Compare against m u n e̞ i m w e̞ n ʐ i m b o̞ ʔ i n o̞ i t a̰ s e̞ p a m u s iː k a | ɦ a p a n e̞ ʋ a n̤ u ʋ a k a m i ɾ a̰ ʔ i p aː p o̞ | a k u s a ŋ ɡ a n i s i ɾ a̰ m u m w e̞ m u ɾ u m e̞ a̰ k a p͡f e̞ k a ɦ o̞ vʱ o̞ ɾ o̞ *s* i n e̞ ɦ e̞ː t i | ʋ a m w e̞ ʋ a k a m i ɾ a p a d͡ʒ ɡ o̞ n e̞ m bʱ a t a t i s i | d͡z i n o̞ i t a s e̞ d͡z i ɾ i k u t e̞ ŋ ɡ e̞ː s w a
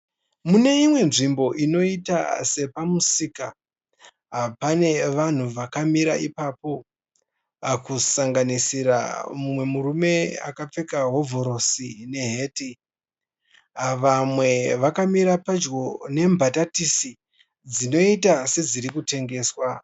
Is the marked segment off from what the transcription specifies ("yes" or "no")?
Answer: no